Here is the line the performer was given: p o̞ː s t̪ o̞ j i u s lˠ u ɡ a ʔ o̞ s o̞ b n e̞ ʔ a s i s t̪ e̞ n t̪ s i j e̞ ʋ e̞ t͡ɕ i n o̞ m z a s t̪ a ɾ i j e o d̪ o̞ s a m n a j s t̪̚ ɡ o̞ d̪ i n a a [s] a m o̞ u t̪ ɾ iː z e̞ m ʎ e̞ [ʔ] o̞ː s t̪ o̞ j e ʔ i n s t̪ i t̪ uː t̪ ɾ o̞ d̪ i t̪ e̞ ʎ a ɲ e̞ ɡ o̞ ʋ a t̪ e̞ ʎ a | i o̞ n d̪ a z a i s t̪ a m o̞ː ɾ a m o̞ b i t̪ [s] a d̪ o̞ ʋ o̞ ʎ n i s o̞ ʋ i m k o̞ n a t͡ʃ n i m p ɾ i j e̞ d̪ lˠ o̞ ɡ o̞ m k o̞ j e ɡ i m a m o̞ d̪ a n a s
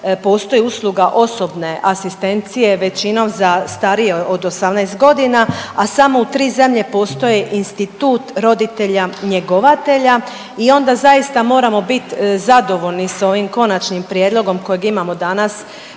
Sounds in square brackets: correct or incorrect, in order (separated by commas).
correct, incorrect, incorrect